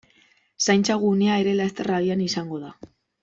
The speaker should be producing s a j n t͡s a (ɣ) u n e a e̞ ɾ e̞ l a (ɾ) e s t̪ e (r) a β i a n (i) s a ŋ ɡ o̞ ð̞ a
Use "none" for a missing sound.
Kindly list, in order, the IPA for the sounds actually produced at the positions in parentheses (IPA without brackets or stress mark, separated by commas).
ɣ, none, r, i